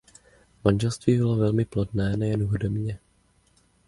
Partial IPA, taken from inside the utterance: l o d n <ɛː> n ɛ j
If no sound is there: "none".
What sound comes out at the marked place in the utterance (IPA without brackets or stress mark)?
ɛː